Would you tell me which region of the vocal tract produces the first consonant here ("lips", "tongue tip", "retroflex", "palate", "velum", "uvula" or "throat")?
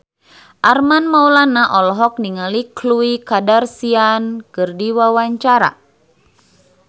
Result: throat